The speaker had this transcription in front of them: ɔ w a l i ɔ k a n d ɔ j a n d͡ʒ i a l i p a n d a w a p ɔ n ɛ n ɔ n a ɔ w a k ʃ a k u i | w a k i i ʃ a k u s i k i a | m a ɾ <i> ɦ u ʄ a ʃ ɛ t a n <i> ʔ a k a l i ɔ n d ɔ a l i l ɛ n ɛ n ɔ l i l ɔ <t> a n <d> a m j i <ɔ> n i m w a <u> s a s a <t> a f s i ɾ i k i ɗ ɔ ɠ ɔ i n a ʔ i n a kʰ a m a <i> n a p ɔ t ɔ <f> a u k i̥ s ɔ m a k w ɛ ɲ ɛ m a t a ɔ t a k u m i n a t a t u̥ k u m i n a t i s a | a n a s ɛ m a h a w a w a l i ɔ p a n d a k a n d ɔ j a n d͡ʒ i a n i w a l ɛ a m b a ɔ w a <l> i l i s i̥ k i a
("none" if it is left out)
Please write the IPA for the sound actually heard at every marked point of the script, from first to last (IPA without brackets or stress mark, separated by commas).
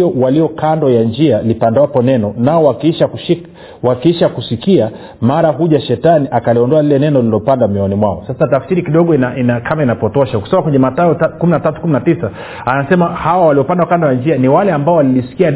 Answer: a, i, p, d, ɔ, ɔ, t, i, ʃ, l